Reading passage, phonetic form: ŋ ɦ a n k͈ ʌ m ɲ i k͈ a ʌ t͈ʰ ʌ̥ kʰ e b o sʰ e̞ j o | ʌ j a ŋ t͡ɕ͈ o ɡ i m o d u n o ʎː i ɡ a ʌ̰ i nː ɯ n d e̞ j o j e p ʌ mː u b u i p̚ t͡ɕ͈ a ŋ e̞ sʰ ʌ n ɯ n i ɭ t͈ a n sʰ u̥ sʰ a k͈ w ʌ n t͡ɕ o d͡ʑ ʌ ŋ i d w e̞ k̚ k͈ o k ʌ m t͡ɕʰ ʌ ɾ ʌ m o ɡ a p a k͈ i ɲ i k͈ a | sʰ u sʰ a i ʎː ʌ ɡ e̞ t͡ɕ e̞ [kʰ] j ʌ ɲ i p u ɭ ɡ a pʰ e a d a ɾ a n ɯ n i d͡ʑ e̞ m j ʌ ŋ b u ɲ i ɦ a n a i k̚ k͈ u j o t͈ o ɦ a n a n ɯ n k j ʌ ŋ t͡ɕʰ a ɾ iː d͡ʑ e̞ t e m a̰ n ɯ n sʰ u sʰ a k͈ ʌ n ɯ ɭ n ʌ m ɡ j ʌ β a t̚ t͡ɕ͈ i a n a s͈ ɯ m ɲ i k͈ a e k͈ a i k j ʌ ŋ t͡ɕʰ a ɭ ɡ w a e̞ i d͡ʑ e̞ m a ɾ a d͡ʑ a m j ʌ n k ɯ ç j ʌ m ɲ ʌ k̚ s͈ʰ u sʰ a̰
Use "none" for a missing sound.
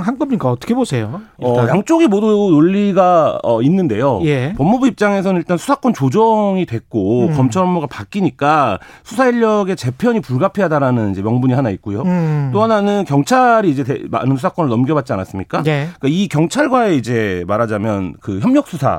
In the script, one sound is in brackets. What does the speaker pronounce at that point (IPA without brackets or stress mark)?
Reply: pʰ